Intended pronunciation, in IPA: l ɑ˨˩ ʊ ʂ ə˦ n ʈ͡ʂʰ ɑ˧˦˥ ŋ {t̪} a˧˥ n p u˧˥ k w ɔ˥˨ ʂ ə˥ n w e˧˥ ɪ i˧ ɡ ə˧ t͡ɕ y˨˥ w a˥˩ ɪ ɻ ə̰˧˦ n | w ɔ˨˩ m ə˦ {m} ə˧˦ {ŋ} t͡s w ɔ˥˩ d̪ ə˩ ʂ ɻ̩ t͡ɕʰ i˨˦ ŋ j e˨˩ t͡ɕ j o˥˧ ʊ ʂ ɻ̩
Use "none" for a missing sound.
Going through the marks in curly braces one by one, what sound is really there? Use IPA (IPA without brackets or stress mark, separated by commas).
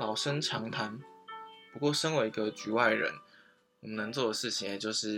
t̪ʰ, n, ŋ